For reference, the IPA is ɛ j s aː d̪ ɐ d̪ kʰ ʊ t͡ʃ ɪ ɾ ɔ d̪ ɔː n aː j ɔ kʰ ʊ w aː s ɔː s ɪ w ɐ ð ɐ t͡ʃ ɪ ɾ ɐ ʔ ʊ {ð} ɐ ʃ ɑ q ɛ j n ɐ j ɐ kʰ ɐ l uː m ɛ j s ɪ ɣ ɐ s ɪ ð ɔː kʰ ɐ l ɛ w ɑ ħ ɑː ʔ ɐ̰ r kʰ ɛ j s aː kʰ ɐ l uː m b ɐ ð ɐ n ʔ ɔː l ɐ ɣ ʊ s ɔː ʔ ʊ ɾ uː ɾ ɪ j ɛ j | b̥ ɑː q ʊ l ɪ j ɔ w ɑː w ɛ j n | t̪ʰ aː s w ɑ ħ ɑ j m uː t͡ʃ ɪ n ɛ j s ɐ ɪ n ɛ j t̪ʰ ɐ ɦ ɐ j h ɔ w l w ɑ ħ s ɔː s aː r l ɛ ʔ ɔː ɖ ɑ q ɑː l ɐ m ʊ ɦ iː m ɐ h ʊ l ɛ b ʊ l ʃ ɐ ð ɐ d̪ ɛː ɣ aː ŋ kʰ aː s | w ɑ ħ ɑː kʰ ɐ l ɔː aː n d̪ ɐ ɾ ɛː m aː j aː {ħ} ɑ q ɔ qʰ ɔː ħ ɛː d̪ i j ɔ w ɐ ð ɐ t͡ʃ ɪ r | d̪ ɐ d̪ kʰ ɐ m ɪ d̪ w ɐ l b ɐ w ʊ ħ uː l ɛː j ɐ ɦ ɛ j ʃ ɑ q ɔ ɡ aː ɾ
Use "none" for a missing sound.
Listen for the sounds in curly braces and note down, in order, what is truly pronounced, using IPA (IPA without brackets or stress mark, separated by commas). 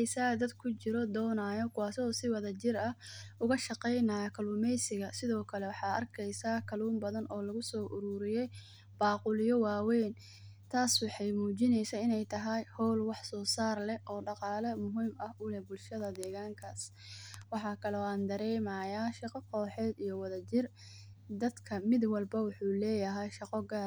ɣ, ʃ